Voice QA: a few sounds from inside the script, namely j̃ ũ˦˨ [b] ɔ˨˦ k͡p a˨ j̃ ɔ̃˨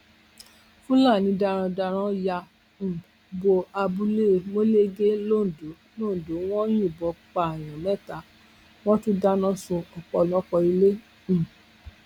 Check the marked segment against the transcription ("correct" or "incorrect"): correct